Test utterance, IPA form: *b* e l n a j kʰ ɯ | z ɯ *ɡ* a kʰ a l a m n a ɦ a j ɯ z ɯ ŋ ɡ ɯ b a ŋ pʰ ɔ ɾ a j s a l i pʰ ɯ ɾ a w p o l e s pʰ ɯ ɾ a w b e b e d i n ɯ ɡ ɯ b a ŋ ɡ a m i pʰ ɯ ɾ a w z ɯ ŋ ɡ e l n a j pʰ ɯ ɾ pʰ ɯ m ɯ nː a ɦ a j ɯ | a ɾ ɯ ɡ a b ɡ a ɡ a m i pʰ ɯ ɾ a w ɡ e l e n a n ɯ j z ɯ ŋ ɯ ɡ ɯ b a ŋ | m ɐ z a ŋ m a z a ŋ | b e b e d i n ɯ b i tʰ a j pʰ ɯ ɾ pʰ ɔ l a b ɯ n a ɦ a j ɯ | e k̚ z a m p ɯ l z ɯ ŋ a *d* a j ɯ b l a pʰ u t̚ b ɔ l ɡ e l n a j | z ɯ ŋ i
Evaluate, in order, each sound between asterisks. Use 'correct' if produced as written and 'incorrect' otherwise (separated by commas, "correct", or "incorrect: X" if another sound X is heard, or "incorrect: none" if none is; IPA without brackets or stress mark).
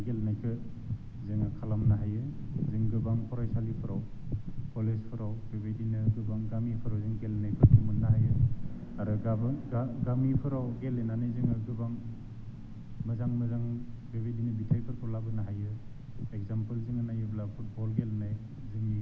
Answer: incorrect: ɡ, incorrect: ŋ, incorrect: n